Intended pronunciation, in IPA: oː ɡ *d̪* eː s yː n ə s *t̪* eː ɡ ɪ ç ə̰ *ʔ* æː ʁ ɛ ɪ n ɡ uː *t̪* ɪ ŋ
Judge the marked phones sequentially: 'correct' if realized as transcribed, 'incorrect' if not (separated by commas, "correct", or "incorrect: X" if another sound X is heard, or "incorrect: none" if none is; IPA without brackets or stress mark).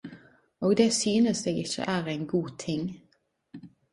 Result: correct, incorrect: d̪, correct, incorrect: t̪ʰ